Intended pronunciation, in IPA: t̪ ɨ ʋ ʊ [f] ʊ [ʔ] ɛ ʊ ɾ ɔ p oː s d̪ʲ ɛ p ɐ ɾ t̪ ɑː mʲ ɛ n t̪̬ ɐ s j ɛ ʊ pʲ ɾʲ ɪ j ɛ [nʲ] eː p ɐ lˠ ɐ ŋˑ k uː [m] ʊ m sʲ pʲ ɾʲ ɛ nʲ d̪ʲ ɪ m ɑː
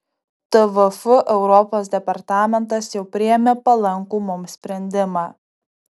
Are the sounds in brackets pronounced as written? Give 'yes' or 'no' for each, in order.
yes, yes, no, yes

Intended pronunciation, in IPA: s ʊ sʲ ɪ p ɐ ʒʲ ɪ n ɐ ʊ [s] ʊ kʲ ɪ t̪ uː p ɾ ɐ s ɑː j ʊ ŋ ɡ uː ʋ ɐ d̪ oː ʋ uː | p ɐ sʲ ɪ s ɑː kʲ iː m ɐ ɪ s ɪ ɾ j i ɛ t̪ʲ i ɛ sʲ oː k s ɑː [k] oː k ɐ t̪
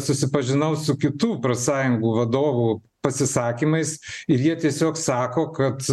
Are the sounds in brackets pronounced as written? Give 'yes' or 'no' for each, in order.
yes, yes

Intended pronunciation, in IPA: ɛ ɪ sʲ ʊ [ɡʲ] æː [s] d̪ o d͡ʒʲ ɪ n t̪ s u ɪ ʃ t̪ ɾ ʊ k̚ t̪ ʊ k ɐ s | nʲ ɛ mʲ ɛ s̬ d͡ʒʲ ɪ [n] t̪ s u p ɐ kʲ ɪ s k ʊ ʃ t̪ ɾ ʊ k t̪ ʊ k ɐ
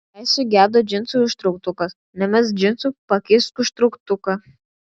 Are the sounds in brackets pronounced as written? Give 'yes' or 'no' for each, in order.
yes, no, yes

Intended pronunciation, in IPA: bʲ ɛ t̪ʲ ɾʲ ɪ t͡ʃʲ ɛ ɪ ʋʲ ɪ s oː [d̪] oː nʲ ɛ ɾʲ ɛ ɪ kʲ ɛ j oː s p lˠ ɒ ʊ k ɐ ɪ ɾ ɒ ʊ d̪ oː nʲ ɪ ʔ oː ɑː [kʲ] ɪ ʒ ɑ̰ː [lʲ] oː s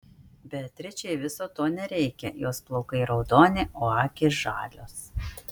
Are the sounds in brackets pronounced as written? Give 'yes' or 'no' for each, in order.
no, yes, yes

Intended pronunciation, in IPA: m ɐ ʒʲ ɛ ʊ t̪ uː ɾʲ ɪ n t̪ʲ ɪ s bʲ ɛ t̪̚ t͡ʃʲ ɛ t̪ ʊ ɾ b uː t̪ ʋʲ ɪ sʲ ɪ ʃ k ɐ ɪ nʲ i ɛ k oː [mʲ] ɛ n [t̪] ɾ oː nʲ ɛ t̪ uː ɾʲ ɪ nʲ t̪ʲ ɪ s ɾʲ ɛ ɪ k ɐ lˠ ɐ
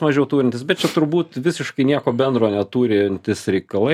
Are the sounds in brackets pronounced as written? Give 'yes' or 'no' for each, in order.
no, no

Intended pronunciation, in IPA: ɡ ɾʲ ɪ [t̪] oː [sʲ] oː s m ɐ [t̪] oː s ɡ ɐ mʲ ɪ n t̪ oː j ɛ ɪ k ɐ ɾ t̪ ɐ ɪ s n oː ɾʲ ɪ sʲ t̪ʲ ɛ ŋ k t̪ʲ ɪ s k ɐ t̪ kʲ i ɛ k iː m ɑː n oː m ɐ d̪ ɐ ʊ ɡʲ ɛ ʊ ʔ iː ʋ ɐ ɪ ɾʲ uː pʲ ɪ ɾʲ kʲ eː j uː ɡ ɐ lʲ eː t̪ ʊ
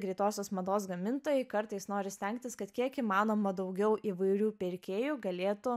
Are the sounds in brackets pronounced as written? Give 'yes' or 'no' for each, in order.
yes, yes, no

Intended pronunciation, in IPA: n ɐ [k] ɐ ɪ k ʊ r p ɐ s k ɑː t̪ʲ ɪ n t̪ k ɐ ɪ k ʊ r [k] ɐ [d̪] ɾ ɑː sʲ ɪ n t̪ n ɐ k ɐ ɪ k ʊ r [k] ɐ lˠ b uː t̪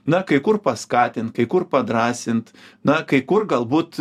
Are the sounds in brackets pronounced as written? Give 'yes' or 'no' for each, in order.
yes, no, yes, no

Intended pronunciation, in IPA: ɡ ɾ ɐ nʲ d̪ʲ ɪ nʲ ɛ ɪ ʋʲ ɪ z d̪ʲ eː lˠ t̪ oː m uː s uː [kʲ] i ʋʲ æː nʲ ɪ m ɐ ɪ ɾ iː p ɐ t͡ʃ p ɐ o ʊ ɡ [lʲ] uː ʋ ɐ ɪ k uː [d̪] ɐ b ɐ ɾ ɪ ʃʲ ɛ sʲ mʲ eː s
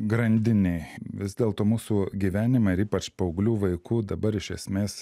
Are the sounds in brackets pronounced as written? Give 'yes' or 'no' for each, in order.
no, yes, yes

